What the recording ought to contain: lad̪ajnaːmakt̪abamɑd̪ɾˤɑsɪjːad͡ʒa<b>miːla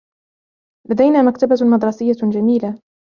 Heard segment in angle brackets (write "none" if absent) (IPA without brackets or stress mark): none